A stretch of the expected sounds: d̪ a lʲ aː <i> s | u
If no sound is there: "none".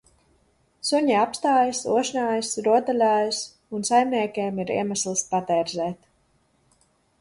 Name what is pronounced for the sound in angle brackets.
j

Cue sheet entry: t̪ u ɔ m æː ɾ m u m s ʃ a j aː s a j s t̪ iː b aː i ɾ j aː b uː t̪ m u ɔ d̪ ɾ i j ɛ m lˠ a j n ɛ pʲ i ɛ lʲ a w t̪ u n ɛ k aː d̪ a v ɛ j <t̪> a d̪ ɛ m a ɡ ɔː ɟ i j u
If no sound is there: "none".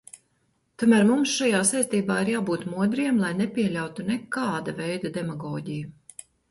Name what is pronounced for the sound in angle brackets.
d̪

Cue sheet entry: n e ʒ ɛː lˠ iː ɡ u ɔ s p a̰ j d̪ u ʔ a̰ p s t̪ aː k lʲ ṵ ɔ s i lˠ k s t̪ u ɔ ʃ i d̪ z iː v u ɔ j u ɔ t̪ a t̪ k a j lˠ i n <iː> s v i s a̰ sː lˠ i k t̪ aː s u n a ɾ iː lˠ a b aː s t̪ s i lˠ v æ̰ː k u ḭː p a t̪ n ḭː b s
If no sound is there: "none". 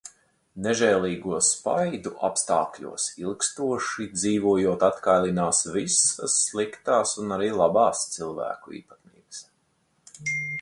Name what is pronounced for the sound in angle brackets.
aː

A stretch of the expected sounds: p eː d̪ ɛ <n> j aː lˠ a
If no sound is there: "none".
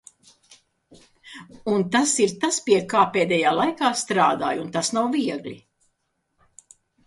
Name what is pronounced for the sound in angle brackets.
none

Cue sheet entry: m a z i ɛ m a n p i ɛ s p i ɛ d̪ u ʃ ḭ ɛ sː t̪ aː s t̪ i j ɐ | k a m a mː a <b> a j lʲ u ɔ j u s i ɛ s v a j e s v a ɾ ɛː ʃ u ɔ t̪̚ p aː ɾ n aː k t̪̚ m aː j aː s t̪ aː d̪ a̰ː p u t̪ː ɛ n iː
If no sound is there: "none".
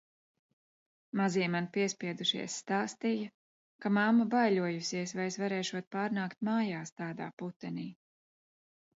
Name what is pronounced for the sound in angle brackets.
b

